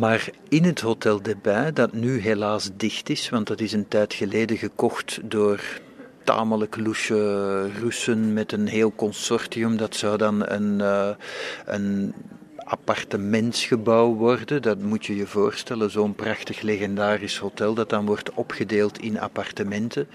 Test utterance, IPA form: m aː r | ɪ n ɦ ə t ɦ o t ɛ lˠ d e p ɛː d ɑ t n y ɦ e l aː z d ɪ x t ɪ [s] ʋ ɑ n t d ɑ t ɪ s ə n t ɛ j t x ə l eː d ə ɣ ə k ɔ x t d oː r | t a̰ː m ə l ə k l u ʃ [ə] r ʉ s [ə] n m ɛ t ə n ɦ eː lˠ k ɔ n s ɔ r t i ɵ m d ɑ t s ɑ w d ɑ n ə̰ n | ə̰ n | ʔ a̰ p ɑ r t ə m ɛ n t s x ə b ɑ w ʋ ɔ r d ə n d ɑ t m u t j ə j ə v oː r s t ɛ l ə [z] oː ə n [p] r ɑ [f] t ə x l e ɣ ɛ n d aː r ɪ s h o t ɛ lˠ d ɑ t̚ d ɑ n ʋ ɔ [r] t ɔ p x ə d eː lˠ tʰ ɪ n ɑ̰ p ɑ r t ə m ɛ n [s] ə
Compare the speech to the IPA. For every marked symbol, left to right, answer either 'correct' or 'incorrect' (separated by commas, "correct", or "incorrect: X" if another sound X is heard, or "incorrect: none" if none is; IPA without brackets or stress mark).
correct, correct, correct, correct, correct, incorrect: x, correct, incorrect: t